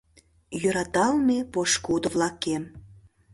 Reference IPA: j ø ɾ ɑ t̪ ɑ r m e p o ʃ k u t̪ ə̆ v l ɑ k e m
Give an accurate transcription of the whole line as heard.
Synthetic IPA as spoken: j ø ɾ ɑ t̪ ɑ l m e p o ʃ k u d̪ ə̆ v l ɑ k e m